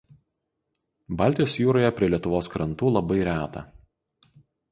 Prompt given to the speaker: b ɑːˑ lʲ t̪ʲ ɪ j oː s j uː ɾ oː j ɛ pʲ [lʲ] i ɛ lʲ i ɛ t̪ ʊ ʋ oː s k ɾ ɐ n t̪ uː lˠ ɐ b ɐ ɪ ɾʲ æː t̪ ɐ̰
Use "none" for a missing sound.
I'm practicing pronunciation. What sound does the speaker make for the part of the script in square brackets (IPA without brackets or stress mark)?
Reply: ɾʲ